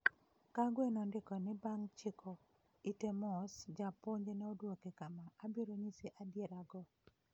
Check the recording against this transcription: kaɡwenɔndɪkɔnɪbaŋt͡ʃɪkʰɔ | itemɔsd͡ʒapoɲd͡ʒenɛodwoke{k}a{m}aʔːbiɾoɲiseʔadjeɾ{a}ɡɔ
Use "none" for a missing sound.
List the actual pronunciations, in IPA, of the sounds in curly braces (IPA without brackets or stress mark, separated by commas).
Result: k, m, a